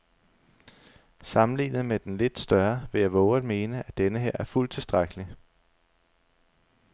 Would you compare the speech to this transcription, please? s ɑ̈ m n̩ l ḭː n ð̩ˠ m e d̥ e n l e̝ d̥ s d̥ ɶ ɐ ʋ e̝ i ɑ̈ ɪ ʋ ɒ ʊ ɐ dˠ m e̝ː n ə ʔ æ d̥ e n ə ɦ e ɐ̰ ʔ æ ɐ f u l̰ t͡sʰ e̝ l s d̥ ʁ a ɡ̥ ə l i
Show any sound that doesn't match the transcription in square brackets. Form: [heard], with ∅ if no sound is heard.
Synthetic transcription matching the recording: s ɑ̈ m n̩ l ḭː n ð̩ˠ m e d̥ e n l e̝ d̥ s d̥ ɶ ɐ ʋ e̝ [j] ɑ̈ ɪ ʋ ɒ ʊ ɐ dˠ m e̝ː n ə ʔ æ d̥ e n ə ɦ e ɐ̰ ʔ æ ɐ f u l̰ t͡sʰ e̝ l s d̥ ʁ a ɡ̥ ə l i

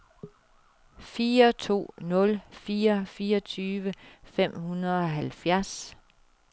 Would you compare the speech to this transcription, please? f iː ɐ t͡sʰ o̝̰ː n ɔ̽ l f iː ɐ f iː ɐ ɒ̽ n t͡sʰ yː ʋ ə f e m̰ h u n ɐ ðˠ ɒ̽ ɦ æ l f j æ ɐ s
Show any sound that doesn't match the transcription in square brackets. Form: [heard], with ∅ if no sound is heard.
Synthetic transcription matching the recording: f iː ɐ t͡sʰ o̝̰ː n ɔ̽ l f iː ɐ f iː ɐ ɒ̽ [∅] t͡sʰ yː ʋ ə f e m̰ h u n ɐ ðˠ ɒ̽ ɦ æ l f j æ ɐ s

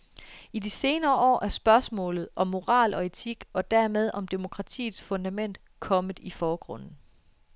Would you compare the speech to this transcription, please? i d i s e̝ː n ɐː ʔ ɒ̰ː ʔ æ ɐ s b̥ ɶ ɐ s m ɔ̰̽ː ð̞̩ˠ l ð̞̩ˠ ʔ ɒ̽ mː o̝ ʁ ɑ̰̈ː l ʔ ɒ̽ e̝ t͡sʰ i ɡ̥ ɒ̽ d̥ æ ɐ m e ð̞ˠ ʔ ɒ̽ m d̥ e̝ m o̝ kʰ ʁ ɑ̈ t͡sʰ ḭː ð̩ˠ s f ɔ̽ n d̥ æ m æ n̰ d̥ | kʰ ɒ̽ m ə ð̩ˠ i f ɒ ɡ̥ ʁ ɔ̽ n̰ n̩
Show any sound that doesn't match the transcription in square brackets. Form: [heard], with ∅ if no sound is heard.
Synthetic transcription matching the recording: i d i s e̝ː n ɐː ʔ ɒ̰ː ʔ æ ɐ s b̥ ɶ ɐ s m ɔ̰̽ː [∅] l ð̞̩ˠ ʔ ɒ̽ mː o̝ ʁ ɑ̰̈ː l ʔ ɒ̽ e̝ t͡sʰ i ɡ̥ ɒ̽ d̥ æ ɐ m e ð̞ˠ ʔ ɒ̽ m d̥ e̝ m o̝ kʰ ʁ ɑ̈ t͡sʰ ḭː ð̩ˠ s f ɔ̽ n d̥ æ m [e] n̰ d̥ | kʰ ɒ̽ m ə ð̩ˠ i f [ɒː] ɡ̥ ʁ ɔ̽ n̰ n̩

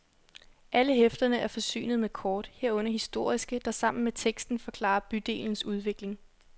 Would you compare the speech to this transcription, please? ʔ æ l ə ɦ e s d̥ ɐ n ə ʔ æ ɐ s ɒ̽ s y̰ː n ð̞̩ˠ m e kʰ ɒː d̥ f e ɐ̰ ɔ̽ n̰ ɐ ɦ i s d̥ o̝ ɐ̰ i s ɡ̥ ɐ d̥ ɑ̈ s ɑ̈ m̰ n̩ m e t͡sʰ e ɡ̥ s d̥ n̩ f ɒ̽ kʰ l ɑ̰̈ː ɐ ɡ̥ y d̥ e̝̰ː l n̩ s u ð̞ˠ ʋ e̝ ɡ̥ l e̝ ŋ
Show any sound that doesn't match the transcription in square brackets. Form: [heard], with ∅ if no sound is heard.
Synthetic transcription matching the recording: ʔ æ l ə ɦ e [f] d̥ ɐ n ə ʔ æ ɐ [f] ɒ̽ s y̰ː n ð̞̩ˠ m e kʰ ɒː d̥ [h] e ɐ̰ ɔ̽ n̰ ɐ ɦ i s d̥ o̝ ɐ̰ i s ɡ̥ [ə] d̥ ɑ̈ s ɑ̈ m̰ n̩ m e t͡sʰ e ɡ̥ s d̥ n̩ f ɒ̽ kʰ l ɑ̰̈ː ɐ [b̥] y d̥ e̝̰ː l n̩ s u ð̞ˠ ʋ e̝ ɡ̥ l e̝ ŋ

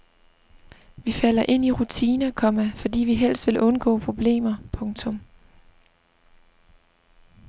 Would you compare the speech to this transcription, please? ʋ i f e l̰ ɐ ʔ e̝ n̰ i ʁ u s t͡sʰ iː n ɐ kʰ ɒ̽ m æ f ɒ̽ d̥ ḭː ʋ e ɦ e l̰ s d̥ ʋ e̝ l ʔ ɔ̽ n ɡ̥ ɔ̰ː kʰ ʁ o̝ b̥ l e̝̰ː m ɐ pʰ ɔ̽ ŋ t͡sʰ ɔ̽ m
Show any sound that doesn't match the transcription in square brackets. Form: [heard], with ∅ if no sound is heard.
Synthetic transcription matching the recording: ʋ i f [æ] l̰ ɐ ʔ e̝ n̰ i ʁ u [∅] t͡sʰ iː n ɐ kʰ ɒ̽ m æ f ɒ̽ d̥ ḭː ʋ [i] ɦ e l̰ s d̥ ʋ e̝ l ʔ ɔ̽ n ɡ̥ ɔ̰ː [pʰ] ʁ o̝ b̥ l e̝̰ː m ɐ pʰ ɔ̽ ŋ t͡sʰ ɔ̽ m

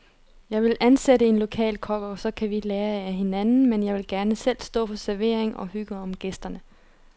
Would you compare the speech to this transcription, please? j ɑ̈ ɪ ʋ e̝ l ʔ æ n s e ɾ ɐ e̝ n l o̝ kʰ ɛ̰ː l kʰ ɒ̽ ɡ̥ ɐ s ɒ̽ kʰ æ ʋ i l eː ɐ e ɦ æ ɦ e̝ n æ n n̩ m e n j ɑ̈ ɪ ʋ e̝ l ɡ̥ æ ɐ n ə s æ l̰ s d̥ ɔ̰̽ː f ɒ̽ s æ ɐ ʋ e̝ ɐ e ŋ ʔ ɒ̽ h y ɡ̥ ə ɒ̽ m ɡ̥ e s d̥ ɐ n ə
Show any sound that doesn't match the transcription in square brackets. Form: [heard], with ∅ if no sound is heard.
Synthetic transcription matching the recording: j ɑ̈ ɪ ʋ e̝ l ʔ æ n s e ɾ [ə] e̝ n l o̝ kʰ ɛ̰ː l kʰ ɒ̽ ɡ̥ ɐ s ɒ̽ kʰ æ ʋ i l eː ɐ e [∅] æ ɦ e̝ n æ n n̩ m e n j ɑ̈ ɪ ʋ e̝ l ɡ̥ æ ɐ n ə s [e] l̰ s d̥ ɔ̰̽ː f ɒ̽ s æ ɐ ʋ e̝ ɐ e ŋ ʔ ɒ̽ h y ɡ̥ ə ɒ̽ m ɡ̥ e s d̥ ɐ n ə

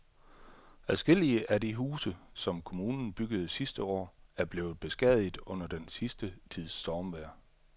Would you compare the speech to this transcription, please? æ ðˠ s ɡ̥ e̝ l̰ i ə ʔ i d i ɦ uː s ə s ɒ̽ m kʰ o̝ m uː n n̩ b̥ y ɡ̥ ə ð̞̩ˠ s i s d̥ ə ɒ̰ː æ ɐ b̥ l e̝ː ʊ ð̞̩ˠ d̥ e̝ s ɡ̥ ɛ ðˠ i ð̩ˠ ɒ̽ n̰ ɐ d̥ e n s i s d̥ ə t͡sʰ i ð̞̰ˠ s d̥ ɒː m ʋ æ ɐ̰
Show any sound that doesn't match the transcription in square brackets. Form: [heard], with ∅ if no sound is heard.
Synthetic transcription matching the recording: æ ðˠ s ɡ̥ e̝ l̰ i ə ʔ [æ] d i ɦ uː s ə s ɒ̽ m kʰ o̝ m uː n n̩ b̥ y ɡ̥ ə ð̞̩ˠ s i s d̥ ə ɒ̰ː æ ɐ b̥ l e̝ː ʊ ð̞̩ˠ [b̥] e̝ s ɡ̥ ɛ ðˠ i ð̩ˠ [ɔ̽] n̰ ɐ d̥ e n s i s d̥ ə t͡sʰ i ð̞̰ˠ s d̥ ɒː m ʋ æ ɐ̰

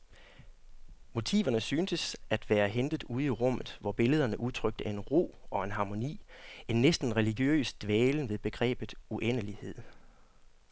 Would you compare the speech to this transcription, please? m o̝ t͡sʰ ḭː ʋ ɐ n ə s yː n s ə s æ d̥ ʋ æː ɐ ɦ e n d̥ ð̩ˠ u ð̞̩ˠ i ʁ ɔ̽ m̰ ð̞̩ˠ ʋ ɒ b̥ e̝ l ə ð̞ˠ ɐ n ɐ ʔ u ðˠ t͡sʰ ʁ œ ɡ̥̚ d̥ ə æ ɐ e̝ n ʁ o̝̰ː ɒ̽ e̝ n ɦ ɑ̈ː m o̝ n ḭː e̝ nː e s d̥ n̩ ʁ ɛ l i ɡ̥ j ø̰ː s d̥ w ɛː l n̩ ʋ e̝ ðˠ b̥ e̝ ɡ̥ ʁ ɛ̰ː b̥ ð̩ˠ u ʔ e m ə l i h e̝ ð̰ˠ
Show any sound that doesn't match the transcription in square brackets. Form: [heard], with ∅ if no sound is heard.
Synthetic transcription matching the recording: m o̝ t͡sʰ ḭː ʋ ɐ n ə s yː n s ə s æ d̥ ʋ æː ɐ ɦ e n d̥ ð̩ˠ u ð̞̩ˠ i ʁ ɔ̽ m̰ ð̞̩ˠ ʋ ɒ b̥ e̝ l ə ð̞ˠ ɐ n [ə] ʔ u ðˠ t͡sʰ ʁ œ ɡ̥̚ d̥ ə æ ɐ e̝ n ʁ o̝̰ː ɒ̽ e̝ n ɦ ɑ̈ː m o̝ n ḭː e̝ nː e s d̥ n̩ ʁ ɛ l i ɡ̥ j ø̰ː s d̥ [ʋ] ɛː l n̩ ʋ e̝ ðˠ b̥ e̝ ɡ̥ ʁ ɛ̰ː b̥ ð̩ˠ u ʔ e [n] ə l i h e̝ ð̰ˠ

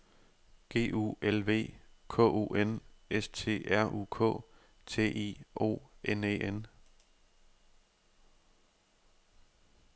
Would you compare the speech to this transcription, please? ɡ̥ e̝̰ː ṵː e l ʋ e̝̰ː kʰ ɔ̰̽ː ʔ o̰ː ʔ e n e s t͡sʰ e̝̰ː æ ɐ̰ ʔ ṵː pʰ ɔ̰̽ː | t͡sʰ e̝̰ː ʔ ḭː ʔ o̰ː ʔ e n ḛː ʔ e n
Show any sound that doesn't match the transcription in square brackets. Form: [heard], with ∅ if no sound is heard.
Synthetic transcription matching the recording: ɡ̥ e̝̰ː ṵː e l ʋ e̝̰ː kʰ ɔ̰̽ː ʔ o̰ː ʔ e n e s t͡sʰ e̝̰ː æ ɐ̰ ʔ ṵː [kʰ] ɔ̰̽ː | t͡sʰ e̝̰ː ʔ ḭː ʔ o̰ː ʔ e n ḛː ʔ e n

